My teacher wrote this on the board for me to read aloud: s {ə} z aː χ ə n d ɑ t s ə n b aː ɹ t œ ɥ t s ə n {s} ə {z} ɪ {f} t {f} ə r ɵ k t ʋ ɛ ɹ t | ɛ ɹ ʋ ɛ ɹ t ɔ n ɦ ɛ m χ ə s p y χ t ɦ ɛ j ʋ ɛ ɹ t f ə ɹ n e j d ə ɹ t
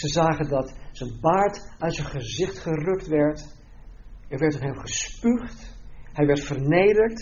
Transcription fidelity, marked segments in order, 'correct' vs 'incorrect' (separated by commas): correct, incorrect, correct, incorrect, incorrect